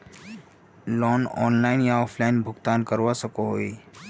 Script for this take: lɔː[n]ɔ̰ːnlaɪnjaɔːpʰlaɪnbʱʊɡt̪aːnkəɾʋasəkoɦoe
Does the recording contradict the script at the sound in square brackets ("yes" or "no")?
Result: no